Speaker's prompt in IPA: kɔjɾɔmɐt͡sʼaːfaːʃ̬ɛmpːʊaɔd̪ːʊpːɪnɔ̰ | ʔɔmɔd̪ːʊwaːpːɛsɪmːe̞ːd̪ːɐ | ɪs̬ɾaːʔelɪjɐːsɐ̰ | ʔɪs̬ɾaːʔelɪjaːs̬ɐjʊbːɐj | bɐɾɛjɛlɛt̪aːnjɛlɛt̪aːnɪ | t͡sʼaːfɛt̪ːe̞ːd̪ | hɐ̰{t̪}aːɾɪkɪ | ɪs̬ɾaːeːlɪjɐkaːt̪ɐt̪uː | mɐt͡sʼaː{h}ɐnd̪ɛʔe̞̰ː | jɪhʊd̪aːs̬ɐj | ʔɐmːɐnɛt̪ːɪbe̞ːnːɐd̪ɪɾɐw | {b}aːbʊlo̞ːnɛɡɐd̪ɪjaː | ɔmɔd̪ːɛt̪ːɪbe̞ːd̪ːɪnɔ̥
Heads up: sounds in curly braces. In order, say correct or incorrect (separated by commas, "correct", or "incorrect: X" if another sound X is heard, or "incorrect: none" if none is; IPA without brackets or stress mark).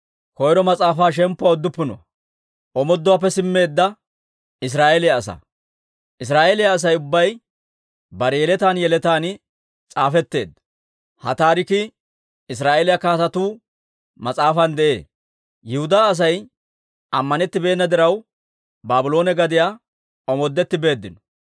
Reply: correct, incorrect: f, correct